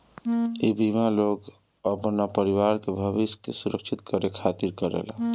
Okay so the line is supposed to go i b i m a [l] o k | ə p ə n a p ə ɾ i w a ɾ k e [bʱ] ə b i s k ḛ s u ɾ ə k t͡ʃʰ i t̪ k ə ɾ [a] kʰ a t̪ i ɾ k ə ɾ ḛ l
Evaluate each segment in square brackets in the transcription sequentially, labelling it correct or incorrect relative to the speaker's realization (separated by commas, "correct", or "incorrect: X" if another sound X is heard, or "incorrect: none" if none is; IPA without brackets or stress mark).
correct, correct, incorrect: e